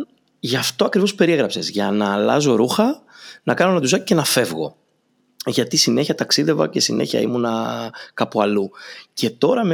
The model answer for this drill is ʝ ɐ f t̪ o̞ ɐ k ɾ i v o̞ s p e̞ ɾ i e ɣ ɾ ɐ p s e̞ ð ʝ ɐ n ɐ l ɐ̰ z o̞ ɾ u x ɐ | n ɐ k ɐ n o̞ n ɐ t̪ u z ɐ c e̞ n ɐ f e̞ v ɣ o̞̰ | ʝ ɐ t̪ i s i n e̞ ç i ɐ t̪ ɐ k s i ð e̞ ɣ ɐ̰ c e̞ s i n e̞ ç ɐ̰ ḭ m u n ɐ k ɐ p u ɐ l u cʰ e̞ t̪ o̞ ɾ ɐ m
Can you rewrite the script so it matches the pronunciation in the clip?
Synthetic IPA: ʝ ɐ f t̪ o̞ ɐ k ɾ i v o̞ s p e̞ ɾ i e ɣ ɾ ɐ p s e̞ z ʝ ɐ n ɐ l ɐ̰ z o̞ ɾ u x ɐ | n ɐ k ɐ n o̞ n ɐ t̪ u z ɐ c e̞ n ɐ f e̞ v ɣ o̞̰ | ʝ ɐ t̪ i s i n e̞ ç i ɐ t̪ ɐ k s i ð e̞ v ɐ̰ c e̞ s i n e̞ ç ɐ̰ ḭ m u n ɐ k ɐ p u ɐ l u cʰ e̞ t̪ o̞ ɾ ɐ m